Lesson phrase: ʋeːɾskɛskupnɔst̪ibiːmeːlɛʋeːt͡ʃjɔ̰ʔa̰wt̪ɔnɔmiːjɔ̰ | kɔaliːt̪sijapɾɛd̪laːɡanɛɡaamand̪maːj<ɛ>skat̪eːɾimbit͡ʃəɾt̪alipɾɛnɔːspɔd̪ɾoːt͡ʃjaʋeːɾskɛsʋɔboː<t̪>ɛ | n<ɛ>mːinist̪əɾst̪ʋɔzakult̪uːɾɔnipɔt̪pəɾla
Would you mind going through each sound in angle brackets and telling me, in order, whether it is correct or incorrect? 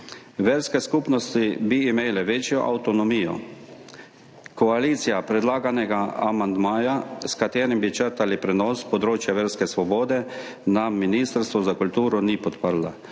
incorrect: a, incorrect: d̪, incorrect: a

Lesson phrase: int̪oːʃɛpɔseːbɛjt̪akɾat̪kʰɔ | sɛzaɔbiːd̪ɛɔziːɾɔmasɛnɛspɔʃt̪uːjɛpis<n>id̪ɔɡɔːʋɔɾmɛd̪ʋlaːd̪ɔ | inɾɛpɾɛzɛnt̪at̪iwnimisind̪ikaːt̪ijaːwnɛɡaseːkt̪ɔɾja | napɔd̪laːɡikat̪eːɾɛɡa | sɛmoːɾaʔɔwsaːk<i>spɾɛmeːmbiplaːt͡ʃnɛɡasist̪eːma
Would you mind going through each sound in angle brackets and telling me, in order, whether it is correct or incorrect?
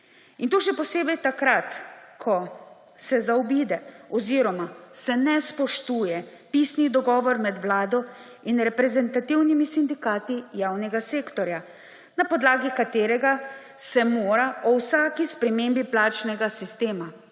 correct, correct

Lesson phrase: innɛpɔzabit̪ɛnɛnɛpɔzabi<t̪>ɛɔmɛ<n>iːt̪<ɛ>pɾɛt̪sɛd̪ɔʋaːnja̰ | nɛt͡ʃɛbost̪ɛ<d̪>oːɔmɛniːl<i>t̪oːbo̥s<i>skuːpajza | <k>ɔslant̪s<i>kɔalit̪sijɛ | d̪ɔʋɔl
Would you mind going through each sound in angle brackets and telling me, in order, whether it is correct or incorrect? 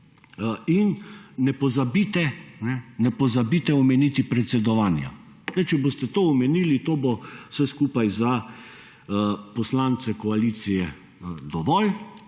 correct, correct, incorrect: i, incorrect: t̪, correct, incorrect: ɛ, incorrect: p, incorrect: ɛ

